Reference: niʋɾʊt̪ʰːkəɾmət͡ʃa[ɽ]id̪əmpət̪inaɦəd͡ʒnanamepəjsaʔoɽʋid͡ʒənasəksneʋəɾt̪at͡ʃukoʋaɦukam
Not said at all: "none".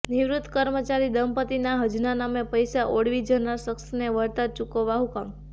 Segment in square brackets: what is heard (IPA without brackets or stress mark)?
ɾ